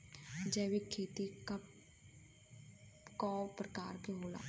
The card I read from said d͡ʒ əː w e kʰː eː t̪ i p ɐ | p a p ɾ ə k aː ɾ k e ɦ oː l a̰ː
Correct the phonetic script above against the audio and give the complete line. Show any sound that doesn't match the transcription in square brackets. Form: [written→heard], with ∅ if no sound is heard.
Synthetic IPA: d͡ʒ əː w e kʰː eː t̪ i [p→k] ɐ | [p→k] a p ɾ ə k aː ɾ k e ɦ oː l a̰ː

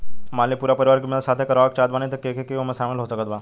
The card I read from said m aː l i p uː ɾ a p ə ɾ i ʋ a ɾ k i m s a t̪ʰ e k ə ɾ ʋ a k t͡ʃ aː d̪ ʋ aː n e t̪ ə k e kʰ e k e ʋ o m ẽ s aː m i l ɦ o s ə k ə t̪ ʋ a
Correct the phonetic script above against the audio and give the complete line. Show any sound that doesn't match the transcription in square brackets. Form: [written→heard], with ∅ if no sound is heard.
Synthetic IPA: m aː l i p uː ɾ a p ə ɾ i ʋ a ɾ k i m s a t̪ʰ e k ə ɾ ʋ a k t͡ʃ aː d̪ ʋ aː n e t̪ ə k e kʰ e k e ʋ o m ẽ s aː m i l ɦ o s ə k ə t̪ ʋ a

